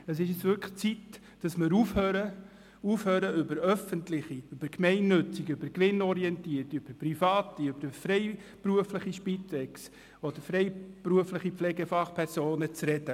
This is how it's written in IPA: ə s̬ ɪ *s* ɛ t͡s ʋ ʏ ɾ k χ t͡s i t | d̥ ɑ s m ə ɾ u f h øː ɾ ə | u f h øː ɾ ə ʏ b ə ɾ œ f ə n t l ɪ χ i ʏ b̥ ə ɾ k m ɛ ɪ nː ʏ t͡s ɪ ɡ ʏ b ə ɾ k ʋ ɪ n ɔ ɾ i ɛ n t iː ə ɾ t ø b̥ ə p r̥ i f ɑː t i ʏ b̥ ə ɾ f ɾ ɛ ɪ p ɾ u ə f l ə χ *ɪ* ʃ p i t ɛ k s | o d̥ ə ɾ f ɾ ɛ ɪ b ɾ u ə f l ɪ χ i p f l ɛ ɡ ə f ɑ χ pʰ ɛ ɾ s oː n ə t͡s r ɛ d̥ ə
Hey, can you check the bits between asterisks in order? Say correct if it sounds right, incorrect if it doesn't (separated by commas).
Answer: incorrect, incorrect